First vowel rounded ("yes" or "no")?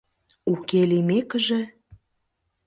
yes